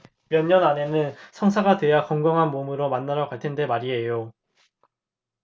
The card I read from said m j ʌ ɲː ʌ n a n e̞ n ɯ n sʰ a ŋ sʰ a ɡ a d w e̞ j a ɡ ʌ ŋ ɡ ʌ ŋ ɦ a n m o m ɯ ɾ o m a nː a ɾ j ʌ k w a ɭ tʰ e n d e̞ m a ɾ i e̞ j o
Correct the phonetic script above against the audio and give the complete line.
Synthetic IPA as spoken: m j ʌ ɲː ʌ n a n e̞ n ɯ n sʰ ʌ ŋ sʰ a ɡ a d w e̞ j a k ʌ ŋ ɡ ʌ ŋ ɦ a n m o m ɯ ɾ o m a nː a ɾ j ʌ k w a ɭ tʰ e n d e̞ m a ɾ i e̞ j o